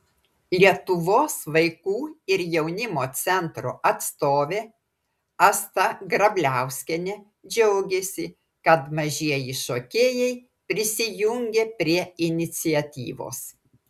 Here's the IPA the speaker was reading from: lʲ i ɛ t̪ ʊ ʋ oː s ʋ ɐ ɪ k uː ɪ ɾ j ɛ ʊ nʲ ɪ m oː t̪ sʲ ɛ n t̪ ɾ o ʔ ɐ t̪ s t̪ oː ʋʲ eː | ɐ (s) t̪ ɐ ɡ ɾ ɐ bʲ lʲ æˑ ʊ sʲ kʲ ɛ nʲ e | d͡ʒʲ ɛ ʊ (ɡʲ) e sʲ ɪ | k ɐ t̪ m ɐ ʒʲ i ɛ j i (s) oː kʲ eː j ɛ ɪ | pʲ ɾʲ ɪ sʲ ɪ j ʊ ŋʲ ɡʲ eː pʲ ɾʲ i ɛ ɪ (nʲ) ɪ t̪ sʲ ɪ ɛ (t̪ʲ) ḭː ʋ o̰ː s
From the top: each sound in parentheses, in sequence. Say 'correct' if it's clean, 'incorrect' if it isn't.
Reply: correct, correct, incorrect, correct, correct

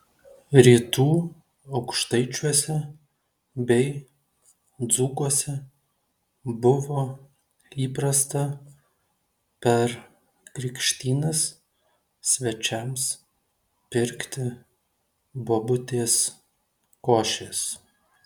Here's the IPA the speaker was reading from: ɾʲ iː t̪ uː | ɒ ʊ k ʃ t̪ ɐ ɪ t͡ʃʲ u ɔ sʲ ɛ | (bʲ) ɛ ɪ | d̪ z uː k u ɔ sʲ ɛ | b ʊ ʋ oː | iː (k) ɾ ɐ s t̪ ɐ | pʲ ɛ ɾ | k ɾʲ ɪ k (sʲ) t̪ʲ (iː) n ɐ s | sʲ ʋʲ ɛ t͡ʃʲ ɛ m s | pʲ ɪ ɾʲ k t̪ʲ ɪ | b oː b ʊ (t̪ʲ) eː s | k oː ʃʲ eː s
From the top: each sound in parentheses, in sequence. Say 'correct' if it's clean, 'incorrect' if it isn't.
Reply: correct, incorrect, incorrect, correct, correct

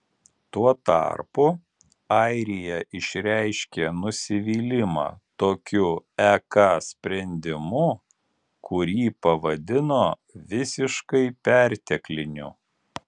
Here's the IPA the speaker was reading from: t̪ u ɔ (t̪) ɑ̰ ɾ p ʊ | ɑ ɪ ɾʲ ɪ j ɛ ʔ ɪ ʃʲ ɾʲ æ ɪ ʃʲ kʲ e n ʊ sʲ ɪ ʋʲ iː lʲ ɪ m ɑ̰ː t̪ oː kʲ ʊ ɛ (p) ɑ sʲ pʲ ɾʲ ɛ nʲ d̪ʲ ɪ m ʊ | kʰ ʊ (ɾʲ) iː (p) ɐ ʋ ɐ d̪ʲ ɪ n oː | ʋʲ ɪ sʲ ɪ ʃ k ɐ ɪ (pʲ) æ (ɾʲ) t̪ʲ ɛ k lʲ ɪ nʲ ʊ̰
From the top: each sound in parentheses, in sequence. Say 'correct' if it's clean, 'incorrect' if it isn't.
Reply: correct, incorrect, correct, correct, correct, correct

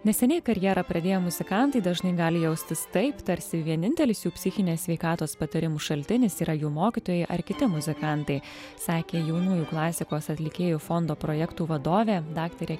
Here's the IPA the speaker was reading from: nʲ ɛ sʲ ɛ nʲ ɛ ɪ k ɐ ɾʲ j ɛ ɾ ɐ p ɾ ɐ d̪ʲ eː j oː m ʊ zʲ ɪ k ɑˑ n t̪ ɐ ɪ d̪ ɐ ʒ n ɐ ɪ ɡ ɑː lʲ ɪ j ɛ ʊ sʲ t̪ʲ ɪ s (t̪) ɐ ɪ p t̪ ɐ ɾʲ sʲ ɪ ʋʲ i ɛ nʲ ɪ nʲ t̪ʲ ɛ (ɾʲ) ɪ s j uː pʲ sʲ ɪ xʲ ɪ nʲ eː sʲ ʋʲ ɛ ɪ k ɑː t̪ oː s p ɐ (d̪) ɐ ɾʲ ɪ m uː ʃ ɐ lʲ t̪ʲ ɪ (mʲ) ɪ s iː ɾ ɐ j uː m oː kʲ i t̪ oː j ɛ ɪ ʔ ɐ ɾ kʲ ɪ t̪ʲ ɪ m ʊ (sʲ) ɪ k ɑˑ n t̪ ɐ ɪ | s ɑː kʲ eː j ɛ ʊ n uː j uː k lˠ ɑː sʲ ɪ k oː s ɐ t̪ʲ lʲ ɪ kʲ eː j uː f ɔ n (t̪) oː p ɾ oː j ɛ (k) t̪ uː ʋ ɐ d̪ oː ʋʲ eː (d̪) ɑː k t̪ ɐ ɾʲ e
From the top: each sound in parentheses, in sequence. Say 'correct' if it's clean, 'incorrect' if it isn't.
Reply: correct, incorrect, incorrect, incorrect, incorrect, incorrect, correct, correct

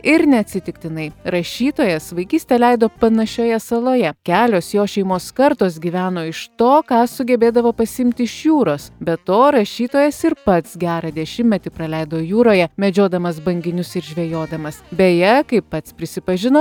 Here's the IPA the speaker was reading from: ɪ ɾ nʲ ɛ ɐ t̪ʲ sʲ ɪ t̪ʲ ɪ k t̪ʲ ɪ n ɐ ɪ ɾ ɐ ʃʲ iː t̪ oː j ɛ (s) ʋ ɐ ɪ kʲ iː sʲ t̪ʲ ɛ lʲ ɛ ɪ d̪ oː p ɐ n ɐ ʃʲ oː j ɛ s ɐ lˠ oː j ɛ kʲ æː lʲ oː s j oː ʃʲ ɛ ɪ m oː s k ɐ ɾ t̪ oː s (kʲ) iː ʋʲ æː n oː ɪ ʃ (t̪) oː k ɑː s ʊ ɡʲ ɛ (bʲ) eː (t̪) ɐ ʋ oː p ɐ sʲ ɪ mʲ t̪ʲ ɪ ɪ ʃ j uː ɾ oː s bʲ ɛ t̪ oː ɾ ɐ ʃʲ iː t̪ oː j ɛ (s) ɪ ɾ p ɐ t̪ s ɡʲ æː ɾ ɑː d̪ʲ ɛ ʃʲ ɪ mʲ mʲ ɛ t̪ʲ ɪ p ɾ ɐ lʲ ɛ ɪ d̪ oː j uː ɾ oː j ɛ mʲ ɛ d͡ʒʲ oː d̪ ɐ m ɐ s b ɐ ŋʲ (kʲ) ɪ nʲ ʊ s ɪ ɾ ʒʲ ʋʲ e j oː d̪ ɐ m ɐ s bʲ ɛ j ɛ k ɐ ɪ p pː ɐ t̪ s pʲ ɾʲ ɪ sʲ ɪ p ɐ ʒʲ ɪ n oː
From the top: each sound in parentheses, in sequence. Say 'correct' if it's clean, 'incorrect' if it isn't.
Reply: correct, incorrect, correct, correct, incorrect, correct, incorrect

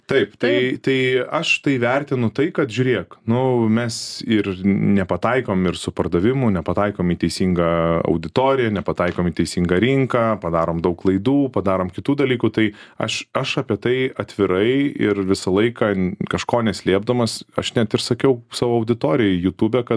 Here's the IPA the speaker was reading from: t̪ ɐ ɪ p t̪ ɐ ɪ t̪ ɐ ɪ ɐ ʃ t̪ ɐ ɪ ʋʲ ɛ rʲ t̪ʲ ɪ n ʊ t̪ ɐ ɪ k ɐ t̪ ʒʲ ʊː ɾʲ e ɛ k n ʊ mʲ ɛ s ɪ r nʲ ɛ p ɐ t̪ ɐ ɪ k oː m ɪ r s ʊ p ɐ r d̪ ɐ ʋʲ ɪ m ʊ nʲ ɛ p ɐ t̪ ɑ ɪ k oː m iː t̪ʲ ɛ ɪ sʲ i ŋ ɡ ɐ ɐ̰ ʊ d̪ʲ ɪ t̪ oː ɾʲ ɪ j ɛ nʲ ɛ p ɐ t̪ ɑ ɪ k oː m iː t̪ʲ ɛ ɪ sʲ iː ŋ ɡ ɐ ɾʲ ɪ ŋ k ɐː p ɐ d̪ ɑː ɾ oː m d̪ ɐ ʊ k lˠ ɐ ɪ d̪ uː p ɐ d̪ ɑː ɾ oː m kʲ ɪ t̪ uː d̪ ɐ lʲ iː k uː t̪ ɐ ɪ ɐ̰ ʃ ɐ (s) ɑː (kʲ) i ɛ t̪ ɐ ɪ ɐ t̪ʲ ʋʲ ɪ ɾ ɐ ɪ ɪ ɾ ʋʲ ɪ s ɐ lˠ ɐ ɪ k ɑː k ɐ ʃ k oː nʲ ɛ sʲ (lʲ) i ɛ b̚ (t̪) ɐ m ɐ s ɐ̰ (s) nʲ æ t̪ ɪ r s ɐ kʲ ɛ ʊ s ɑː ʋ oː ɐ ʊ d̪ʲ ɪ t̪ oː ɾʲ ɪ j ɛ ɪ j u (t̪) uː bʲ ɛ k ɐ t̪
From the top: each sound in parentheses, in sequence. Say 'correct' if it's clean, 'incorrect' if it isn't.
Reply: incorrect, incorrect, correct, incorrect, incorrect, correct

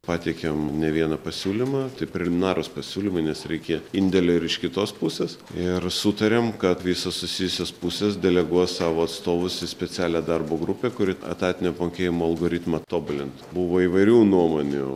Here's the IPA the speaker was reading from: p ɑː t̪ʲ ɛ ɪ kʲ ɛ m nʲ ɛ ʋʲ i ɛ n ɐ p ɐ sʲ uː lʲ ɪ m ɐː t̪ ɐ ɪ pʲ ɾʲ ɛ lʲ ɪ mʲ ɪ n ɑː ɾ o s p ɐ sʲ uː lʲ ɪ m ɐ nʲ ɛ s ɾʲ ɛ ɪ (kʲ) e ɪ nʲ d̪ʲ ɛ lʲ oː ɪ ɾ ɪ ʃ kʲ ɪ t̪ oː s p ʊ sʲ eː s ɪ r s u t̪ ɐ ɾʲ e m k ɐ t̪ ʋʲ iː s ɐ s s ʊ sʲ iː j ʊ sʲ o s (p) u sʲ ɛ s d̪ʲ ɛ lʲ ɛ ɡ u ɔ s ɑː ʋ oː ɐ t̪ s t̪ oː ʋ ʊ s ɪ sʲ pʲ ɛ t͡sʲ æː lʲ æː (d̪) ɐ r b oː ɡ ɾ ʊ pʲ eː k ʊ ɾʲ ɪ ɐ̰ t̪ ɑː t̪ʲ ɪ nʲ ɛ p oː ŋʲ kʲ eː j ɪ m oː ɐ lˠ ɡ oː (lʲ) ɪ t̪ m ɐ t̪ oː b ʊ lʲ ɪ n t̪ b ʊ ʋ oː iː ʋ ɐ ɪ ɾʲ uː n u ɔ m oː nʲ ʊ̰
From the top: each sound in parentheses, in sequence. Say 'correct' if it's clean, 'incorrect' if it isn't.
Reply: correct, correct, correct, incorrect

